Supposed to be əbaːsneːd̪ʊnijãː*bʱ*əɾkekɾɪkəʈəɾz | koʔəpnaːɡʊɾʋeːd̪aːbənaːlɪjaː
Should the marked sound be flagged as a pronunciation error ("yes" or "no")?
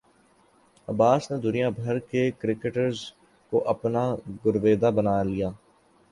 no